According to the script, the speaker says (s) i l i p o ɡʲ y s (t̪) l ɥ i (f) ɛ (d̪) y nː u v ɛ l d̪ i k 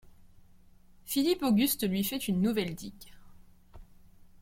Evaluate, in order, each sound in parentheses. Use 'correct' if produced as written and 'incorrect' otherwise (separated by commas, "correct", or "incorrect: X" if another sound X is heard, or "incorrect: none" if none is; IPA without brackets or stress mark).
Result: incorrect: f, correct, correct, incorrect: t̪